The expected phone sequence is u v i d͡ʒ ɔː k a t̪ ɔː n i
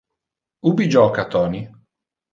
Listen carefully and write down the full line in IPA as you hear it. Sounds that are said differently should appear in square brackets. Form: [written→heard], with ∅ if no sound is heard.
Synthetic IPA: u [v→b] i d͡ʒ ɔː k a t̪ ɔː n i